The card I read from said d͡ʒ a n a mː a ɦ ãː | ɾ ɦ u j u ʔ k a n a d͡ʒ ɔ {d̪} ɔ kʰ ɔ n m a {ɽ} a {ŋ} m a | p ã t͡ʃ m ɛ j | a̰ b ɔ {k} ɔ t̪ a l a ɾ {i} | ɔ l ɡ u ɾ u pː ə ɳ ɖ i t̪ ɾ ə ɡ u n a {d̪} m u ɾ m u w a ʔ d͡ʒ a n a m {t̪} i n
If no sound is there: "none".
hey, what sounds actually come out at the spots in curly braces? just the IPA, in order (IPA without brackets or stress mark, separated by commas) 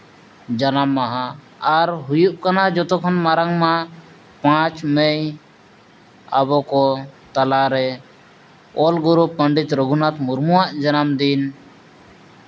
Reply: t̪, ɾ, ŋ, k, ɛ, t̪, d̪